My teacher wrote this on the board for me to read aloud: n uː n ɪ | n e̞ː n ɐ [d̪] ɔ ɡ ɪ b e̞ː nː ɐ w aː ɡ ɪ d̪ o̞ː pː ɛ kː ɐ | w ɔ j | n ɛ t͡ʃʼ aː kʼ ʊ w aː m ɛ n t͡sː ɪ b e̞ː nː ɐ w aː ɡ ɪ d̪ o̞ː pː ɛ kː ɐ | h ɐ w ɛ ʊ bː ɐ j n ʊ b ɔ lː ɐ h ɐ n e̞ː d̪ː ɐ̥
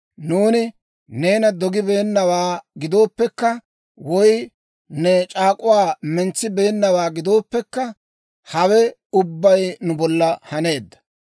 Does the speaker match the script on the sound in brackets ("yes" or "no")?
yes